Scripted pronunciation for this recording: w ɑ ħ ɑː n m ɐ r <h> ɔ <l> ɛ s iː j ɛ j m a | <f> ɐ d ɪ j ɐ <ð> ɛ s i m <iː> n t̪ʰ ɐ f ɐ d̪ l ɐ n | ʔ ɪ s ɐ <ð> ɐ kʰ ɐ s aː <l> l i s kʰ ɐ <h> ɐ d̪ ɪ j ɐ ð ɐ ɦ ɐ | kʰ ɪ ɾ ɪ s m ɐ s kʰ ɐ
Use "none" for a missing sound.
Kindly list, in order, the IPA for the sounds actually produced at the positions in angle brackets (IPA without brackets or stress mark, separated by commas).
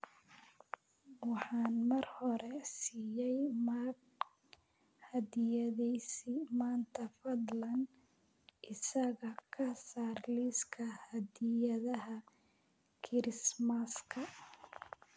h, ɾ, h, ð, aː, ɣ, r, h